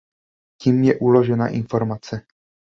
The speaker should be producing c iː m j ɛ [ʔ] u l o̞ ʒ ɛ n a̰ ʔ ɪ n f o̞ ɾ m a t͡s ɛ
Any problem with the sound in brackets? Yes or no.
no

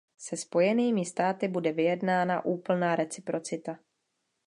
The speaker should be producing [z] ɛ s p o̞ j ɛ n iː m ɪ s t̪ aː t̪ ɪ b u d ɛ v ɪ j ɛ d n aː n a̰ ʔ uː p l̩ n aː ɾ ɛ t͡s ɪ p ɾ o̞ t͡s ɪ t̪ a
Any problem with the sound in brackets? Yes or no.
yes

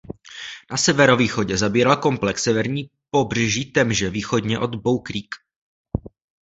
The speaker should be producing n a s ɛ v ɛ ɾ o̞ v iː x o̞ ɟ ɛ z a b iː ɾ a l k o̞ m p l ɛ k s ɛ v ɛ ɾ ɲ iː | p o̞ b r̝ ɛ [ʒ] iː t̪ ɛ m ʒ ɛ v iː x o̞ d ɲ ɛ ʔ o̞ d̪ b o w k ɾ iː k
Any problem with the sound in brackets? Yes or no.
no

